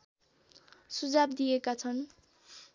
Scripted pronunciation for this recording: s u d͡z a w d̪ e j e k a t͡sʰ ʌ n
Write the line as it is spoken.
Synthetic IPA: s u d͡z a b d̪ i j e k a t͡sʰ ʌ n